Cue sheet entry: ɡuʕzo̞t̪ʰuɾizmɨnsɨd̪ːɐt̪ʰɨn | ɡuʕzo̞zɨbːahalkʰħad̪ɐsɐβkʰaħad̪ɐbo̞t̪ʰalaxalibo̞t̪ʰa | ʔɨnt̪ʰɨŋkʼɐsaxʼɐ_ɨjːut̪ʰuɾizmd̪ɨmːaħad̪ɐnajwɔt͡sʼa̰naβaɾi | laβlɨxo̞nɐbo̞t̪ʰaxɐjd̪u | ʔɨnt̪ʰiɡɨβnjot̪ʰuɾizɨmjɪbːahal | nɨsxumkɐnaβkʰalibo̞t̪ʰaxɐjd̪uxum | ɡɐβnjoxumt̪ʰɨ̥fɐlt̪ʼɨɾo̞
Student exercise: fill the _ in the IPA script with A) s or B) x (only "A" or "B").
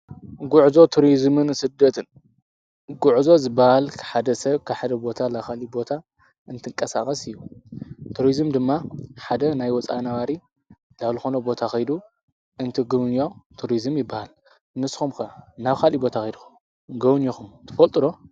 A